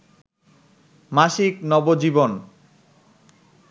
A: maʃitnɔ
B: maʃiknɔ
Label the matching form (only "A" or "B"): B